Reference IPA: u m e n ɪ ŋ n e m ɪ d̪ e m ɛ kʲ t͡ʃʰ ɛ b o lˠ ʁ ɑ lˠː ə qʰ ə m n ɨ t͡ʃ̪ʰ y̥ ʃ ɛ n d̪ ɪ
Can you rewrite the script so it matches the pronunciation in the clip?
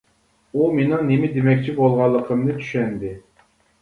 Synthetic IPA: u m e n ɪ ŋ n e m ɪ d̪ e m ɛ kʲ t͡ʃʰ i b o lˠ ʁ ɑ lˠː ə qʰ ə m n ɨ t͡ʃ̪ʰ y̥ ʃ ɛ n d̪ ɪ